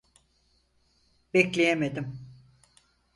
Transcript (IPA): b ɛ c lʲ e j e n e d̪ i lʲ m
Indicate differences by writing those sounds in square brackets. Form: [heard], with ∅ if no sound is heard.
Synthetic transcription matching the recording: b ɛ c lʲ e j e [m] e d̪ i [∅] m